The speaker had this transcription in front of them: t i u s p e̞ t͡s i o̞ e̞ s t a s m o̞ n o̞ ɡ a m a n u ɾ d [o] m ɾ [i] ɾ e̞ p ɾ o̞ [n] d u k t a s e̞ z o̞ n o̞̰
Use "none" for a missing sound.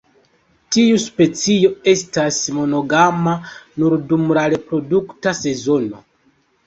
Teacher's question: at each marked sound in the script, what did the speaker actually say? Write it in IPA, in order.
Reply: u, a, none

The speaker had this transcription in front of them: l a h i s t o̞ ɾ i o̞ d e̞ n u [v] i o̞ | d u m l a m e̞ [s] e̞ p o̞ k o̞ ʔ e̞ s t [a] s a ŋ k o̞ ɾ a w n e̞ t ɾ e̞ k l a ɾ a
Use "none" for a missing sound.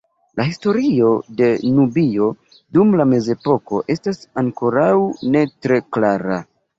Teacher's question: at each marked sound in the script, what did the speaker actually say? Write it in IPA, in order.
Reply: b, z, a

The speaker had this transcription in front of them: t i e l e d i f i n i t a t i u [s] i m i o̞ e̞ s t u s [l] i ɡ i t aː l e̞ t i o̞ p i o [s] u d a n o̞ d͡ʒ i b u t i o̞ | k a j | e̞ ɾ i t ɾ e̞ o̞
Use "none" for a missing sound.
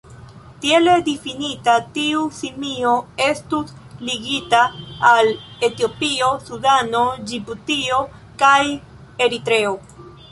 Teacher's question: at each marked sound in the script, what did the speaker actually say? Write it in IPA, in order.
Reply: s, l, s

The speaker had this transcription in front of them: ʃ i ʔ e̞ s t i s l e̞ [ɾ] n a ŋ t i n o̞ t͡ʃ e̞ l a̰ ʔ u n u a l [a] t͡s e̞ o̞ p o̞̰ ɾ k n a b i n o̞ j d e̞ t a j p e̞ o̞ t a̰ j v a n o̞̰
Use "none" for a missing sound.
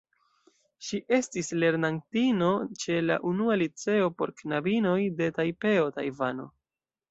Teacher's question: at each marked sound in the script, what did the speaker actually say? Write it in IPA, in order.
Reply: ɾ, i

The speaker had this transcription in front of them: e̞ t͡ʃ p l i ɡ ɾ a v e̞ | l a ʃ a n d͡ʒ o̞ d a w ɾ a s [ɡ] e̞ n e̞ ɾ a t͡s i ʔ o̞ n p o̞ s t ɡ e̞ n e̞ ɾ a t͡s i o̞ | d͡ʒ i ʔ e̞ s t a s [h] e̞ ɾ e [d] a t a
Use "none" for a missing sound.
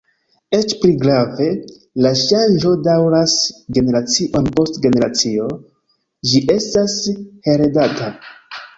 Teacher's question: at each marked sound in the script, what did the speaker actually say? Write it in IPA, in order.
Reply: ɡ, h, d

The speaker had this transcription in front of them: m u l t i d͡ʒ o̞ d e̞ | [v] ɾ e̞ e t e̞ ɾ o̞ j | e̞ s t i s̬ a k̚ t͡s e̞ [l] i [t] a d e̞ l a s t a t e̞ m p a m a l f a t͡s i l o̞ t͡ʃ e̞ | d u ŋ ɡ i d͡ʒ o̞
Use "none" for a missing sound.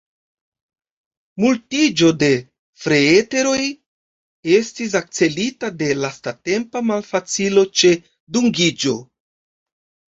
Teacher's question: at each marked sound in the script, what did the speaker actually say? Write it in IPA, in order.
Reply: f, l, t

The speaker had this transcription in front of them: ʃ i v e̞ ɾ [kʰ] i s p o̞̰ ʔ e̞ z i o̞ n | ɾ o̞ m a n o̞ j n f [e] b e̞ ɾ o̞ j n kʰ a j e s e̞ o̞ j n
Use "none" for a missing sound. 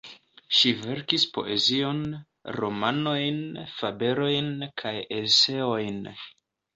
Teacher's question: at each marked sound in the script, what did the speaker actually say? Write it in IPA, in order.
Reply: k, a

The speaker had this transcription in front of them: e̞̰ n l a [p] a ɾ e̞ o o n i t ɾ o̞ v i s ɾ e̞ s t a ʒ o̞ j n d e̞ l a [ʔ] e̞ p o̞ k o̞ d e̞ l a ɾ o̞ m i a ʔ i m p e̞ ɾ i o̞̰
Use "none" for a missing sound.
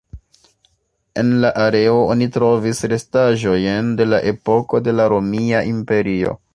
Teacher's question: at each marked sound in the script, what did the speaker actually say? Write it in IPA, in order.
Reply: ʔ, ʔ

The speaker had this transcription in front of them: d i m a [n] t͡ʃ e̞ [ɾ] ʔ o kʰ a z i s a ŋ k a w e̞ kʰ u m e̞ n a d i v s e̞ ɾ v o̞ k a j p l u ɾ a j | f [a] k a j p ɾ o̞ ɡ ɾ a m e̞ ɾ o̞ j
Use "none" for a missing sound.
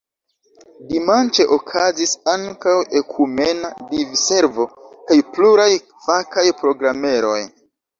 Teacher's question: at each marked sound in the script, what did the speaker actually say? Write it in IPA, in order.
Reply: n, none, a

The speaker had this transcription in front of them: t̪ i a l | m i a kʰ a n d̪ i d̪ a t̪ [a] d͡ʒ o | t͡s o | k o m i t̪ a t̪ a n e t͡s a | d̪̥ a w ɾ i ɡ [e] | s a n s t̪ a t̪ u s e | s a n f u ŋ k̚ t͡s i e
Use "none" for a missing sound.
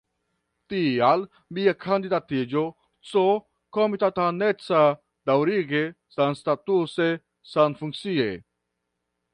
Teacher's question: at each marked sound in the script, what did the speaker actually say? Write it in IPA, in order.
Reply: i, e

